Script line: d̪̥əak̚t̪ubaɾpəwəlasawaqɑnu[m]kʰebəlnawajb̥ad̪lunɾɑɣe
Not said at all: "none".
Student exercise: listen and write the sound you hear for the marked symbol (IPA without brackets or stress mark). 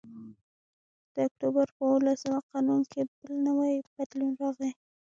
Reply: n